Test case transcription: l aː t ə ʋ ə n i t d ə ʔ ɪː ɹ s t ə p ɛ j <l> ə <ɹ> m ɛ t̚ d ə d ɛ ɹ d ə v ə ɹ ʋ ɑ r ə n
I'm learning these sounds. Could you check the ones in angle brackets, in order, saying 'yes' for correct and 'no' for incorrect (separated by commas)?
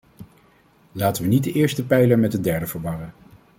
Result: yes, yes